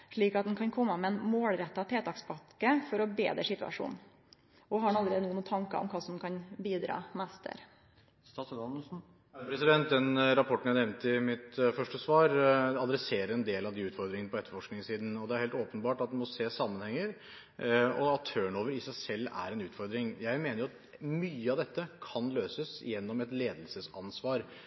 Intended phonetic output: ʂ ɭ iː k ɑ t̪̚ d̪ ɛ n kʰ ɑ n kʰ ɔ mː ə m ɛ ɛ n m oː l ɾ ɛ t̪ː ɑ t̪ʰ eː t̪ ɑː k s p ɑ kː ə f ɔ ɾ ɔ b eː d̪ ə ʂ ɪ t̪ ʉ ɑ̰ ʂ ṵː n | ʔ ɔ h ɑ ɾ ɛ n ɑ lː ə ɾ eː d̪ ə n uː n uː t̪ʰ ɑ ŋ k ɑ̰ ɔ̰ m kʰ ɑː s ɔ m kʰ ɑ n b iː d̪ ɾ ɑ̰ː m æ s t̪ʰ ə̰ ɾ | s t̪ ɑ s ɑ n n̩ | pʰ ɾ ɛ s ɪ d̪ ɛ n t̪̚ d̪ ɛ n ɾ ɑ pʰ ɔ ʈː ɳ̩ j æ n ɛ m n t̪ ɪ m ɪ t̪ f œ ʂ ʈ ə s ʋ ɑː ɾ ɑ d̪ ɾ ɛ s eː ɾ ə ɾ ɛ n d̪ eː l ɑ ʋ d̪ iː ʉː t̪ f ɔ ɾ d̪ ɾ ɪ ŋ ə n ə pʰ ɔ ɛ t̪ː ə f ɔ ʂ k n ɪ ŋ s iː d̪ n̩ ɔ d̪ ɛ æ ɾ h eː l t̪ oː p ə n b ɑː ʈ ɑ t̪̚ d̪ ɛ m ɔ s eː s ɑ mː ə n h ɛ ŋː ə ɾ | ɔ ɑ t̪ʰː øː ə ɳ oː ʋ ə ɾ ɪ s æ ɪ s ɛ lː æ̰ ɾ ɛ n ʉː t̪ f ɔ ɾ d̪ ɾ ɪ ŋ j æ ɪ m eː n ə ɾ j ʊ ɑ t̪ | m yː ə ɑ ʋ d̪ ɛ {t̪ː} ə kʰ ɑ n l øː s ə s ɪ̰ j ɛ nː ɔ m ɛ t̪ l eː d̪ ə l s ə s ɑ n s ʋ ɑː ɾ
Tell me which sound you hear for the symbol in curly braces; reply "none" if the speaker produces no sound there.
t̪ː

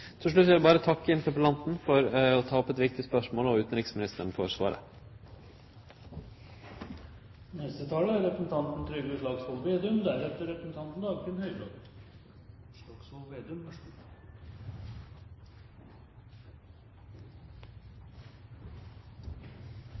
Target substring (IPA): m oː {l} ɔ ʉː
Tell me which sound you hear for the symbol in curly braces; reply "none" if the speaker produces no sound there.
l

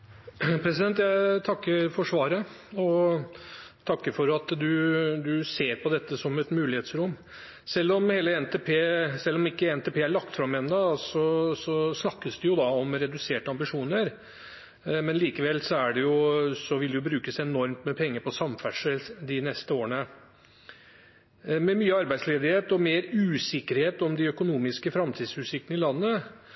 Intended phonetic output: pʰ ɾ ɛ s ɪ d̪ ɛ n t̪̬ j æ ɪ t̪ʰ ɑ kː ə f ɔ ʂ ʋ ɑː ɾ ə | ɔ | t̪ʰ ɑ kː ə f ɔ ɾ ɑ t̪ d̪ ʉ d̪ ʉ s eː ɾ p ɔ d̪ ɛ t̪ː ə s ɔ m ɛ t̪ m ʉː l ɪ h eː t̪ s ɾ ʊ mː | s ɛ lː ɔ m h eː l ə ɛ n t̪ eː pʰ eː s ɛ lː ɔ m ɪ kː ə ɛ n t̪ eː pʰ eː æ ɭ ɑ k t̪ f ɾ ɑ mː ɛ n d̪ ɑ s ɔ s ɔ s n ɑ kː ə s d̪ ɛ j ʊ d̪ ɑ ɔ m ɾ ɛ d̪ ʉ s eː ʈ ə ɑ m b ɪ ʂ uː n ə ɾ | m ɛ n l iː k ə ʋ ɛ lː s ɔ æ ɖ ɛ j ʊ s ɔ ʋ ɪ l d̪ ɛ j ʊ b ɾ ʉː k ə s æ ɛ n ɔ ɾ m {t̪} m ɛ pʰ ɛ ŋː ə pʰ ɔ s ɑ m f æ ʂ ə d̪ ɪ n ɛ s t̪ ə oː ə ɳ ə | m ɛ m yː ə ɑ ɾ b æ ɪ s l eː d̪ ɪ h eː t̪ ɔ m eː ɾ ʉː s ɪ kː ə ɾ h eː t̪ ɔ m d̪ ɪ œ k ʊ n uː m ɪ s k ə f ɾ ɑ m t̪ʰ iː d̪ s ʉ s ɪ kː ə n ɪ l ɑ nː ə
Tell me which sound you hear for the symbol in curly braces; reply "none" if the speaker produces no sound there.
t̪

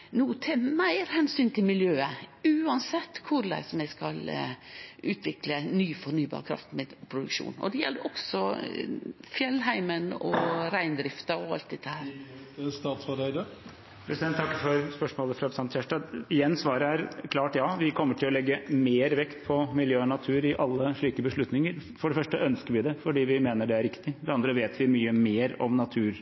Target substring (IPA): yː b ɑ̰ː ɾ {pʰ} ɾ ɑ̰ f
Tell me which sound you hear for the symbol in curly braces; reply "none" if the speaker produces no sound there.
kʰ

